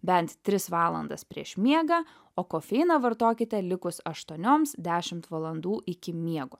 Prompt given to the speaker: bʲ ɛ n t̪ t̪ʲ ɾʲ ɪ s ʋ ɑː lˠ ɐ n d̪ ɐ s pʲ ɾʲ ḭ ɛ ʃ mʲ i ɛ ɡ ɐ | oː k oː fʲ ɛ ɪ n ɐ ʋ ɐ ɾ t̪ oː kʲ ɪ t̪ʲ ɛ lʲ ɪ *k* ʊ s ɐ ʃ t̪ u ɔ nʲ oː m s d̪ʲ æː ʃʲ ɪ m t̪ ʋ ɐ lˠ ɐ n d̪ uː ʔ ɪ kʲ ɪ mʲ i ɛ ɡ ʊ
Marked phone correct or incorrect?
correct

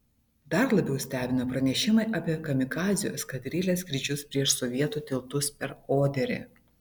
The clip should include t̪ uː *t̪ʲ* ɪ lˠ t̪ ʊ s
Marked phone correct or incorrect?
correct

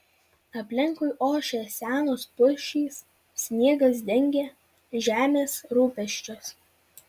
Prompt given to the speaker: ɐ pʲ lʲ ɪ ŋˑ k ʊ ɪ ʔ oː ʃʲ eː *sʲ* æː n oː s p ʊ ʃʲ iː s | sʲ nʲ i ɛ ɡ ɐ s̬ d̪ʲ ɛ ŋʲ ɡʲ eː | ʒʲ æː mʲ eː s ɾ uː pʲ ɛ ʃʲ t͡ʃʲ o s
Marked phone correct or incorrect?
correct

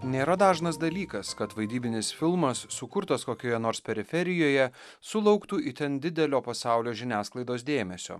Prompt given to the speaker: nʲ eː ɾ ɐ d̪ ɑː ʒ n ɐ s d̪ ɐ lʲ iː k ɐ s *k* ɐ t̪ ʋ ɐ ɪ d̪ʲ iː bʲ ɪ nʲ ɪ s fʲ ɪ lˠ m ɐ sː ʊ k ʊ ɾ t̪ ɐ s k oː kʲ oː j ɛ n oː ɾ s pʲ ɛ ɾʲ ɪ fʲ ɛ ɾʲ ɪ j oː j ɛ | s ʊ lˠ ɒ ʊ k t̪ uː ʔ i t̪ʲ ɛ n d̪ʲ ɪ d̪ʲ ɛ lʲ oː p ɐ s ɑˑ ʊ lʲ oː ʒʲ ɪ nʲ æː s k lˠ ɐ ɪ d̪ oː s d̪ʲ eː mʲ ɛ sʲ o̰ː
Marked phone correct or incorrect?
correct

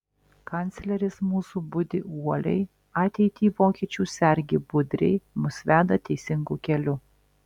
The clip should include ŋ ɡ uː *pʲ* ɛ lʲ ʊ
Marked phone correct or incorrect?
incorrect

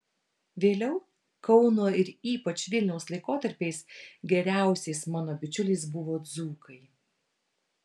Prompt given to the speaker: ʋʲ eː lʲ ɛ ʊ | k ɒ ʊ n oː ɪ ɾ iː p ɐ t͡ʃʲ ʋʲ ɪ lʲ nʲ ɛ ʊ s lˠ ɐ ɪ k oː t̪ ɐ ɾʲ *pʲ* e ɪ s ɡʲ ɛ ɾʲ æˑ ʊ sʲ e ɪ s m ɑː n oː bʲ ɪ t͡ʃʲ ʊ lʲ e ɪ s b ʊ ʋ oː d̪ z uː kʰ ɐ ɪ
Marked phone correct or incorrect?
correct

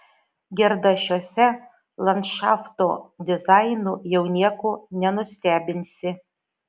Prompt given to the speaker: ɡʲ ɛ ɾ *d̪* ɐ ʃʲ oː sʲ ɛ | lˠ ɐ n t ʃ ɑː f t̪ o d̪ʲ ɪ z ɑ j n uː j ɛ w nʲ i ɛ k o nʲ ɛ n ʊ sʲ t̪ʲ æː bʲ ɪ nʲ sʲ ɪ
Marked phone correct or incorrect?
correct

